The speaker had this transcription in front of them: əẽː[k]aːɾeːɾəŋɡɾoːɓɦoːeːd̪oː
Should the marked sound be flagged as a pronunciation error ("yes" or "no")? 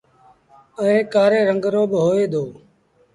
no